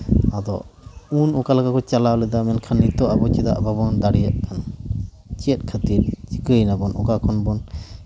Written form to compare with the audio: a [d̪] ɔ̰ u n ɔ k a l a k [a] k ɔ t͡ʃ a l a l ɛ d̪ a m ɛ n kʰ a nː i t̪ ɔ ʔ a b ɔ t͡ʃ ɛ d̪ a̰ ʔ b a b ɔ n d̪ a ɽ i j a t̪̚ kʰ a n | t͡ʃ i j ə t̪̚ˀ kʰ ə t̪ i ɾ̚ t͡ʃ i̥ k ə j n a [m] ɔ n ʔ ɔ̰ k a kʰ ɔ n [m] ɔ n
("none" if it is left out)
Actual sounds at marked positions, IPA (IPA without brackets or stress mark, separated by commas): d̪, a, b, b